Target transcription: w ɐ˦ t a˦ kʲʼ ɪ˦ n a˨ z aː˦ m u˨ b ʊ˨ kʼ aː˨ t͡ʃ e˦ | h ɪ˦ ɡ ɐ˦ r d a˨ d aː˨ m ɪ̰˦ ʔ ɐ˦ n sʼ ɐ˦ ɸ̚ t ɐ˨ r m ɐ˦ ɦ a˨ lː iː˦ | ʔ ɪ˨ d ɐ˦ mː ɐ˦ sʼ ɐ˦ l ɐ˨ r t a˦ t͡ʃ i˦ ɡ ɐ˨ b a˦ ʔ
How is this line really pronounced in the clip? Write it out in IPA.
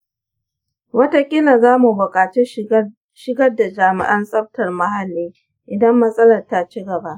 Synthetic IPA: w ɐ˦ t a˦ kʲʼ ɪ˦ n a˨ z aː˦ m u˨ b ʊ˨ kʼ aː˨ t͡ʃ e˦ | ʃ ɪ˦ ɡ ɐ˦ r d a˨ d͡ʒ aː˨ m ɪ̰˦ ʔ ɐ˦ n sʼ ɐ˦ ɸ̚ t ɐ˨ r m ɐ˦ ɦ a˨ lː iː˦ | ʔ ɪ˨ d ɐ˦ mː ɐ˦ sʼ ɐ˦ l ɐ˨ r t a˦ t͡ʃ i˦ ɡ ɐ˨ b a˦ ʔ